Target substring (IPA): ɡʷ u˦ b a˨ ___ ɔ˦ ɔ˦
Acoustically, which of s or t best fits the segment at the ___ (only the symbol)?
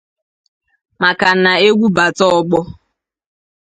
t